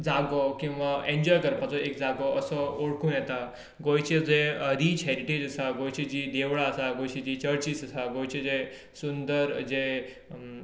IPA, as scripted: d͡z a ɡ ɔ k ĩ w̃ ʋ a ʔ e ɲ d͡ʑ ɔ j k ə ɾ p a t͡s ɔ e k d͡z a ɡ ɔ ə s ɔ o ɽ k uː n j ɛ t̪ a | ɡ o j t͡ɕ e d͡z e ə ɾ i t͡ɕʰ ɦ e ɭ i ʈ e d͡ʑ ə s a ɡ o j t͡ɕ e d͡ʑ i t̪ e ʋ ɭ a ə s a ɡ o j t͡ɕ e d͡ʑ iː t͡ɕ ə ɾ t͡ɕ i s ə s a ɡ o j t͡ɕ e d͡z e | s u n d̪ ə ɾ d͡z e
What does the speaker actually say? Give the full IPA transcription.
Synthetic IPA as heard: d͡z a ɡ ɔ k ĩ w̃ ʋ a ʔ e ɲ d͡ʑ ɔ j k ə ɾ p a t͡s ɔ e k d͡z a ɡ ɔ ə s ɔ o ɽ k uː n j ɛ t̪ a | ɡ o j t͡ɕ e d͡z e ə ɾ i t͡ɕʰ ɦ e ɾ i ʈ e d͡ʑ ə s a ɡ o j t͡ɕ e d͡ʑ i d̪ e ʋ ɭ a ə s a ɡ o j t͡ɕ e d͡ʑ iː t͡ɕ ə ɾ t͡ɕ i s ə s a ɡ o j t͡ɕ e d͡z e | s u n d̪ ə ɾ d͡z e